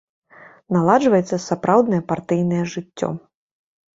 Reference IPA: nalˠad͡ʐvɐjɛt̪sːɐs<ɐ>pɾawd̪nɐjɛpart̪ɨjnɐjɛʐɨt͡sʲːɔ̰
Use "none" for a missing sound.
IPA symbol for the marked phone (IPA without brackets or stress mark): a